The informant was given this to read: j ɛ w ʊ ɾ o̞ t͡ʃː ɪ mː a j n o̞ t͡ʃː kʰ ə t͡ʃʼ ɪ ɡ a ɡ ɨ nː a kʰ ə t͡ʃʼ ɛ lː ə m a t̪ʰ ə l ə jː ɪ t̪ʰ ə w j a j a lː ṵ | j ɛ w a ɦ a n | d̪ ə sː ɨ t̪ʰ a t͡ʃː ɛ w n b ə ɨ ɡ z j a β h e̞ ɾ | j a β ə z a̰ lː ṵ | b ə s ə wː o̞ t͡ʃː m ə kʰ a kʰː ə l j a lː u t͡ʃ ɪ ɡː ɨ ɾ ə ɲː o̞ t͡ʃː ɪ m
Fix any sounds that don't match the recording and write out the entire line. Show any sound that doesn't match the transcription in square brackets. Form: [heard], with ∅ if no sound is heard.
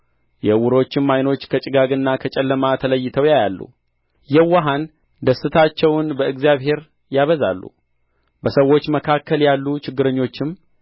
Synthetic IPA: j ɛ w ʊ ɾ o̞ t͡ʃː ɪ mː a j n o̞ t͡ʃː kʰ ə t͡ʃʼ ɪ ɡ a ɡ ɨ nː a kʰ ə t͡ʃʼ ɛ lː ə m a t̪ʰ ə l ə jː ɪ t̪ʰ ə w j a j a lː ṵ | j ɛ w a ɦ a n | d̪ ə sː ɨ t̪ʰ a t͡ʃː ɛ w n b ə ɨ ɡ z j a β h e̞ ɾ | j a β ə z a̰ lː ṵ | b ə s ə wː o̞ t͡ʃː m ə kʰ a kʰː ə l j a lː u t͡ʃ ɪ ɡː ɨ ɾ ə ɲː o̞ t͡ʃː ɪ m